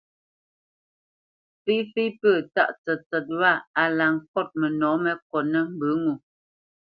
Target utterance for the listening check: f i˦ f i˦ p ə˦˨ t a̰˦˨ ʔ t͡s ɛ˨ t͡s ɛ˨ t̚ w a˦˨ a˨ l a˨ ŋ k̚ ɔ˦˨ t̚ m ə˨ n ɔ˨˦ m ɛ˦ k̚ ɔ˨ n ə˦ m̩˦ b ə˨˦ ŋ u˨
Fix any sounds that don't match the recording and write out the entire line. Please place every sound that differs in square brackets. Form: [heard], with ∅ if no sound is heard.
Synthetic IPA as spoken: f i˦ f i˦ p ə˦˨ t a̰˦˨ ʔ t͡s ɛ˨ t͡s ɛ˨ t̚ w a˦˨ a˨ l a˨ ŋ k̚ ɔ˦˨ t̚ m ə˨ n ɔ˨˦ m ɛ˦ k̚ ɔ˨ n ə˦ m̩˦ b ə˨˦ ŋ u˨